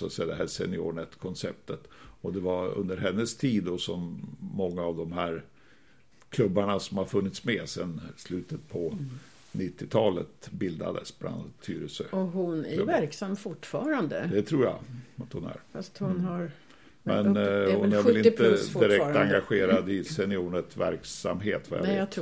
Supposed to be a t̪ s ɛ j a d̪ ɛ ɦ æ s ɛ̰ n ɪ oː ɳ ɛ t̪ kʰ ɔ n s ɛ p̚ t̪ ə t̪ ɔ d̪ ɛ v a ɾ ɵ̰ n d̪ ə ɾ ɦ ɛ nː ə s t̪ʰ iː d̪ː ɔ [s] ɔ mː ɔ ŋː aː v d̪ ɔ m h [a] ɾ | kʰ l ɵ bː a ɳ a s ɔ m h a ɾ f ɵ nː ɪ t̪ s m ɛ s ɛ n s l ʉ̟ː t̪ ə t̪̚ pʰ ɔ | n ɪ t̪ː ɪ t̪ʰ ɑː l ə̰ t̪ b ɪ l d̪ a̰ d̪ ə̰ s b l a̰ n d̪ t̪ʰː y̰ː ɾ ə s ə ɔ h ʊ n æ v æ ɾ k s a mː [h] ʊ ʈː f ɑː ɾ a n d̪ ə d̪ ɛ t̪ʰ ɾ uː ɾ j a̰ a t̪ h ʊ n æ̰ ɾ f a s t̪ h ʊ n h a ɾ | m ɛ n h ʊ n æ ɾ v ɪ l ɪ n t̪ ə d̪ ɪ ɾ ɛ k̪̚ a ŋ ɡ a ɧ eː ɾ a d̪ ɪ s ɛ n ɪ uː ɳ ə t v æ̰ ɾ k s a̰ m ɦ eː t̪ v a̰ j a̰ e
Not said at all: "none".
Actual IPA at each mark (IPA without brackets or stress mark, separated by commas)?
s, æ, f